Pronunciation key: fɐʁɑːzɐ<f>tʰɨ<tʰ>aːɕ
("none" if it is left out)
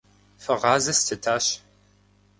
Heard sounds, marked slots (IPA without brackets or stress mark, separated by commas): s, tʰ